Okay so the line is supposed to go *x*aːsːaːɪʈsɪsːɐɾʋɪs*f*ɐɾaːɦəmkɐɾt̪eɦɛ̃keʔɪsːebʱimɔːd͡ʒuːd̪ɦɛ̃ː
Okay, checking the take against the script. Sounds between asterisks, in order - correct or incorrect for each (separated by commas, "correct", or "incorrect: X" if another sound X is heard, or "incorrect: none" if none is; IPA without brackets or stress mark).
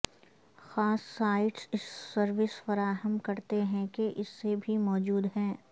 correct, correct